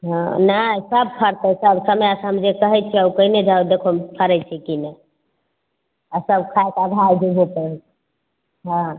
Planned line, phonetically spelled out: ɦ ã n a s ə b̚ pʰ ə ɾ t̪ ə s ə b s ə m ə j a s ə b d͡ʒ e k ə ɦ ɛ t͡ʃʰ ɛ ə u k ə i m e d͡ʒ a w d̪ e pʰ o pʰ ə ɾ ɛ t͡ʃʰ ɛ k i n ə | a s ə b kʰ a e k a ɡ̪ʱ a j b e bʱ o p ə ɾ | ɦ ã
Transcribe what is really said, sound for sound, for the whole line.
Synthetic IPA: ɦ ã n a s ə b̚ pʰ ə ɾ t̪ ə s ə b s ə m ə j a s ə m d͡ʒ e k ə ɦ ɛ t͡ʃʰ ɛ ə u k ə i n e d͡ʒ a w d̪ e kʰ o pʰ ə ɾ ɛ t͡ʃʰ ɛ k i n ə | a s ə b kʰ a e k a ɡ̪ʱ a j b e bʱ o p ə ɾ | ɦ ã